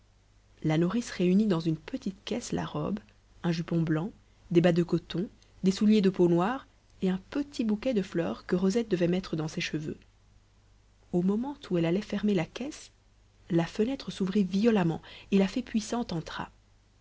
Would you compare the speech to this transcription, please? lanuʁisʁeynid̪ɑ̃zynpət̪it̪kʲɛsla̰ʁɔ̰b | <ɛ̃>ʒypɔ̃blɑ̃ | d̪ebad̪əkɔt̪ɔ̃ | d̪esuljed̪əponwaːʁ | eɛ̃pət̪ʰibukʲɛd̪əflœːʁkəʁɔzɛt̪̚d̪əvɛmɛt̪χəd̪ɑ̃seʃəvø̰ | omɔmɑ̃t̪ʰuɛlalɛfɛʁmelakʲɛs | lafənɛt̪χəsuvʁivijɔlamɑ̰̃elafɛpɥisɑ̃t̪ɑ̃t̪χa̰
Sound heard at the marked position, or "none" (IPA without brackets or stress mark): ɛ̃